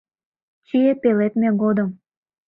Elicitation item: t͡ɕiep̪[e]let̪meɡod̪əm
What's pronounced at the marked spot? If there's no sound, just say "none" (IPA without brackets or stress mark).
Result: e